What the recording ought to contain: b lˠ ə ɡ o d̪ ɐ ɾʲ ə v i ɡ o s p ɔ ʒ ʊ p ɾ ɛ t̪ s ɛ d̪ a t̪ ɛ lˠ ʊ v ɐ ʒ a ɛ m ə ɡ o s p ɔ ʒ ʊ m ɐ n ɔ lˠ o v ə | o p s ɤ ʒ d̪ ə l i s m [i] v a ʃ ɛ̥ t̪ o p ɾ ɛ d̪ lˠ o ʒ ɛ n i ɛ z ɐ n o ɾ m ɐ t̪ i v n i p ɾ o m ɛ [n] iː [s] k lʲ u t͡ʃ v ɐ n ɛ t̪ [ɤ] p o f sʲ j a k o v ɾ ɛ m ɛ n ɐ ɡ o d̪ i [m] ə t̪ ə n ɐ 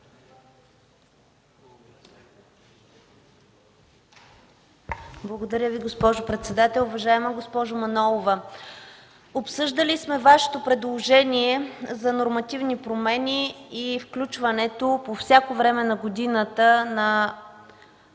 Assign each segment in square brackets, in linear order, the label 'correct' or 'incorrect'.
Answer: incorrect, correct, incorrect, incorrect, incorrect

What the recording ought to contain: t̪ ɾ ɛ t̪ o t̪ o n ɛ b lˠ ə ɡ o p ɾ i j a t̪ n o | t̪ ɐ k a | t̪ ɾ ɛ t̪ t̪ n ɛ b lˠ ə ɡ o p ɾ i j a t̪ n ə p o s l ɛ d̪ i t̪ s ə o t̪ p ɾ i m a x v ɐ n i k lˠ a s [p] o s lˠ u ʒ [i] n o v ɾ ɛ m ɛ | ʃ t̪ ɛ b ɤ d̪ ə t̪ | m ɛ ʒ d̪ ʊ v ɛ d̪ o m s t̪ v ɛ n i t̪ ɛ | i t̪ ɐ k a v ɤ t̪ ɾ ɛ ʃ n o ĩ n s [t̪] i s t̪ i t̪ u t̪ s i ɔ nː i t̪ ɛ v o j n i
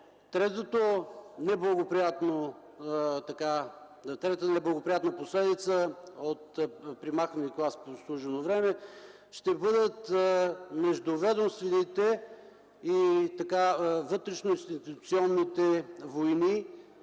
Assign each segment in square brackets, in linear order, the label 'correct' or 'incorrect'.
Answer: correct, incorrect, correct

